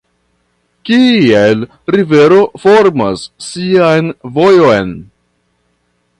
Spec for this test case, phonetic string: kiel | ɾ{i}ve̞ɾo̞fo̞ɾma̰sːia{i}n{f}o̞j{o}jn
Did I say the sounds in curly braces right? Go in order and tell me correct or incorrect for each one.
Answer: correct, incorrect: j, incorrect: v, correct

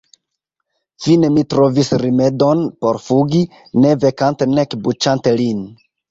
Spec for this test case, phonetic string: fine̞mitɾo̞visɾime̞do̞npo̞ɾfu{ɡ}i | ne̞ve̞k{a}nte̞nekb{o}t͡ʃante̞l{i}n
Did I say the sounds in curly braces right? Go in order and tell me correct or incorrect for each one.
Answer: correct, correct, incorrect: u, correct

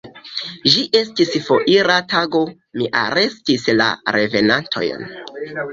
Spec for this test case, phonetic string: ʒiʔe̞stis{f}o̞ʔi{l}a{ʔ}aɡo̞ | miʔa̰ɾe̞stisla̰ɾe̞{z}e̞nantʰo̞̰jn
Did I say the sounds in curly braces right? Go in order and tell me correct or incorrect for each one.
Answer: correct, incorrect: ɾ, incorrect: t, incorrect: v

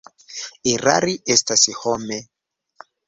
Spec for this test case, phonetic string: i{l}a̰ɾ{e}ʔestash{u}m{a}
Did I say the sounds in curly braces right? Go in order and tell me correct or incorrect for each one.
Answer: incorrect: ɾ, incorrect: i, incorrect: o, incorrect: e

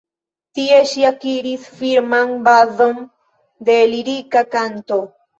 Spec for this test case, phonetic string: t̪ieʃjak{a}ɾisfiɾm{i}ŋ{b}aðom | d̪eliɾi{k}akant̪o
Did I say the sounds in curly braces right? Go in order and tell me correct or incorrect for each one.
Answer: incorrect: i, incorrect: a, correct, correct

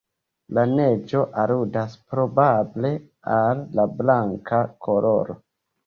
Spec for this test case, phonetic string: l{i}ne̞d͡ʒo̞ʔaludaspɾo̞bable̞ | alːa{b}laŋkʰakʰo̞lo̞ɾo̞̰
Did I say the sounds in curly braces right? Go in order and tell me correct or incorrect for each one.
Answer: incorrect: a, correct

